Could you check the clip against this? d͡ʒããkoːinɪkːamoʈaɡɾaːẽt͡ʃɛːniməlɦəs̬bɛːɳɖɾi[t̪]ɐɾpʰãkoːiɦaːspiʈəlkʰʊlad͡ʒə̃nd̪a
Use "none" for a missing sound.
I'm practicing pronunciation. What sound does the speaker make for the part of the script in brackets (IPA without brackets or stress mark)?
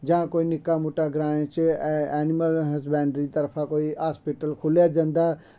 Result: t̪